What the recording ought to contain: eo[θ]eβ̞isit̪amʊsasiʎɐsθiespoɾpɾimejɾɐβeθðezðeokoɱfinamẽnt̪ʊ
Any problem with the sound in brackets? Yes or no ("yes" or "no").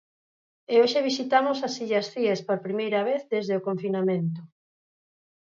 yes